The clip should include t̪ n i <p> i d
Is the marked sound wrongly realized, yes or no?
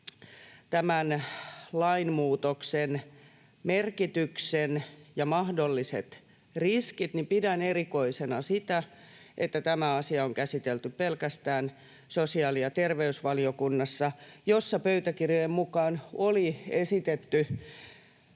no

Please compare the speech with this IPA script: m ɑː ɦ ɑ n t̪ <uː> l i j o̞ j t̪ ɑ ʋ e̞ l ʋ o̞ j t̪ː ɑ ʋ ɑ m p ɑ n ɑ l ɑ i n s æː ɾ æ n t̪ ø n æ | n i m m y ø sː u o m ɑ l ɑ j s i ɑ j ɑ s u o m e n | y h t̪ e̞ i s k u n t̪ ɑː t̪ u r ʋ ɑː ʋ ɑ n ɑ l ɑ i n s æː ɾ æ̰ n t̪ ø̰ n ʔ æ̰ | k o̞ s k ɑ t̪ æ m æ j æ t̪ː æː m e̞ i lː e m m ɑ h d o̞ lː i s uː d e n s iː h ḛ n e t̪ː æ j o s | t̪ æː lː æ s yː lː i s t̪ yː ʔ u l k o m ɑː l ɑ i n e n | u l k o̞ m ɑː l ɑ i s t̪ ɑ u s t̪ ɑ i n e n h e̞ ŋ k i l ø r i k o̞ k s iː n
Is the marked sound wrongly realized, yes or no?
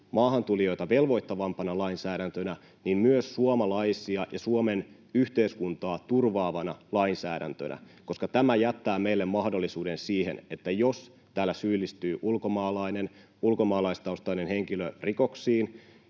yes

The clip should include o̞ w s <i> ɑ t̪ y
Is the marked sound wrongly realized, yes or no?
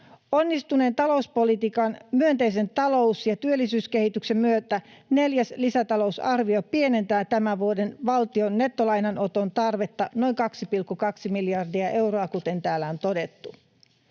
yes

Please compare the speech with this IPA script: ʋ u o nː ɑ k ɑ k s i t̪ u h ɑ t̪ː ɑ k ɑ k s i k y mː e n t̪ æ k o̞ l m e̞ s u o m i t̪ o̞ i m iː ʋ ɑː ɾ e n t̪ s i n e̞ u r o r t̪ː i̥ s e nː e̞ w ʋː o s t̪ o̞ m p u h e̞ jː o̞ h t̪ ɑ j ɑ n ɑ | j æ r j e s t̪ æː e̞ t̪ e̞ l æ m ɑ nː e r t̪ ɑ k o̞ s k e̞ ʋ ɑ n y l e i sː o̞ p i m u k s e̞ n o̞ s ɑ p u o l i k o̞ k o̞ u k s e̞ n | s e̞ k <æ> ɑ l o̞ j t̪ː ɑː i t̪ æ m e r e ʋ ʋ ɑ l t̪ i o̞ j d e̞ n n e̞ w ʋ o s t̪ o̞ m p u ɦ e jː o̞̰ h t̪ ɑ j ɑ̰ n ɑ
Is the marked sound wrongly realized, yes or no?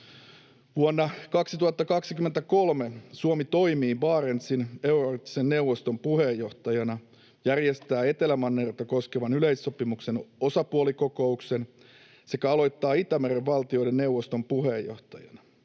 no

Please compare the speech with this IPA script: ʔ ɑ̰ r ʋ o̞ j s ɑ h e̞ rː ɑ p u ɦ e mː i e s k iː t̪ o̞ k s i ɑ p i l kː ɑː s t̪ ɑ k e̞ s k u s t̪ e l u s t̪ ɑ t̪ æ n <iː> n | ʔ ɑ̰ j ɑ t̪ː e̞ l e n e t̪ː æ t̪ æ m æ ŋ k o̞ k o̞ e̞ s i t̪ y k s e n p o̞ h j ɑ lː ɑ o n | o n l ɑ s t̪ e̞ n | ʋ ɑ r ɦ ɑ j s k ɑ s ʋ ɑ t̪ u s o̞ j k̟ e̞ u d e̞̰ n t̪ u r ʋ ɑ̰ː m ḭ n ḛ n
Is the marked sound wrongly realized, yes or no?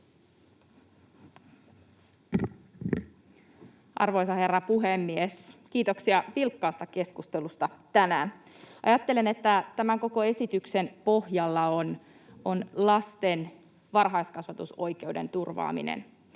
yes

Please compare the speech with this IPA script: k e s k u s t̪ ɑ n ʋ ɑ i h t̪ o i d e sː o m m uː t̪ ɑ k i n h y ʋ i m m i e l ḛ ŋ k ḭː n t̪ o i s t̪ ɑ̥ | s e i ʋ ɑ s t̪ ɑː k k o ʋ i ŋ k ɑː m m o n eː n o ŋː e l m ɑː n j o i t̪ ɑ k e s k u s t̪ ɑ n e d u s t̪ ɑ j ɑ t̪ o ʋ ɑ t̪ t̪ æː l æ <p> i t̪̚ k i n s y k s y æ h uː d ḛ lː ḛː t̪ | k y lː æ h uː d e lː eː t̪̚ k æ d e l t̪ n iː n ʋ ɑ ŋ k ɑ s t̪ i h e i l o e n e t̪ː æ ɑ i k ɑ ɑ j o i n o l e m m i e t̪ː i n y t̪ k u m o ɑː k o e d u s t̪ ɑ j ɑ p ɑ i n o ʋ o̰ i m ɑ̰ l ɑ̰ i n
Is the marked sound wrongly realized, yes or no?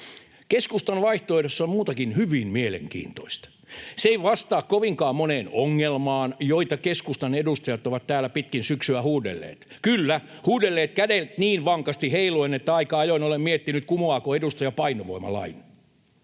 no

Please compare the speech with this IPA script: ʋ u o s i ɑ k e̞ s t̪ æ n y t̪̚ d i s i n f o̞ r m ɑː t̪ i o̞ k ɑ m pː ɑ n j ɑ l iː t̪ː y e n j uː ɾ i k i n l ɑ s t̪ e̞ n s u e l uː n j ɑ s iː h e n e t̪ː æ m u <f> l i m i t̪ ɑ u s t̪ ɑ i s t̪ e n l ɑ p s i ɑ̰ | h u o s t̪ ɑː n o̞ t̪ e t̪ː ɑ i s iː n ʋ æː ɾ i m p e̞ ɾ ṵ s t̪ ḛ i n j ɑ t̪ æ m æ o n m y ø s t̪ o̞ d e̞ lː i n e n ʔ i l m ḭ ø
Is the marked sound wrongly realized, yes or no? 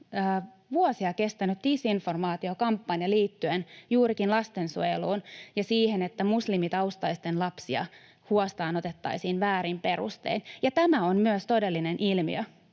yes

